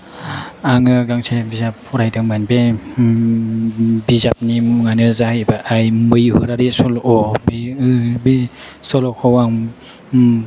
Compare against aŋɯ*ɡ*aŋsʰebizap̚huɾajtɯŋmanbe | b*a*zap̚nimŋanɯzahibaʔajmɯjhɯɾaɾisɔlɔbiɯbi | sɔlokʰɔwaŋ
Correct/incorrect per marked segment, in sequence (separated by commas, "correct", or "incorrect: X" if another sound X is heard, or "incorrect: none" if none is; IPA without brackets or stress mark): correct, incorrect: i